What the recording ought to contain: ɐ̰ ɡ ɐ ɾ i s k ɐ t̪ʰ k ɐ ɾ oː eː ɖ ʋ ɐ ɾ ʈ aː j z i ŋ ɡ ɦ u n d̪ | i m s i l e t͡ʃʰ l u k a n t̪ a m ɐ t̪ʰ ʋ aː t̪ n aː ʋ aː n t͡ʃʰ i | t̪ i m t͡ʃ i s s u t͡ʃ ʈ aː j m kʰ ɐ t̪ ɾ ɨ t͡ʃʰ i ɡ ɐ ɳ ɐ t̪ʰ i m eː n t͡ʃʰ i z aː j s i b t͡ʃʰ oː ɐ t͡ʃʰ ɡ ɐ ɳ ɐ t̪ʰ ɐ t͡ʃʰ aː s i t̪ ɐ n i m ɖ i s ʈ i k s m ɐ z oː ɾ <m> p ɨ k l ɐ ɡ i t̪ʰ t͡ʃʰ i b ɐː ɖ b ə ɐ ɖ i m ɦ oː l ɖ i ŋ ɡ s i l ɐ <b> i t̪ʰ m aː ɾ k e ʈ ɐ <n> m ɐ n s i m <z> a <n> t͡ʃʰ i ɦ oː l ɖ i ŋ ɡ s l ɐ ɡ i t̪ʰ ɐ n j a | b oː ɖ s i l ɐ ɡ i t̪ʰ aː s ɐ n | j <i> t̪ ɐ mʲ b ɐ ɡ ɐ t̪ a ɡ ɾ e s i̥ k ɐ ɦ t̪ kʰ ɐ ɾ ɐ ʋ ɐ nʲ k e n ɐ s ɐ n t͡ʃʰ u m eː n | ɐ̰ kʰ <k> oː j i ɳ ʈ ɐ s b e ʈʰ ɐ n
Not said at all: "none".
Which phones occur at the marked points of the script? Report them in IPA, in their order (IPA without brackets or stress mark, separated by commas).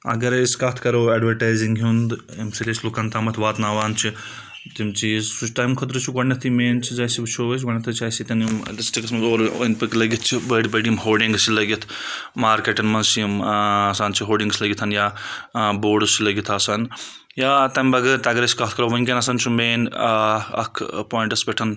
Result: n, ɡ, n, s, n, a, p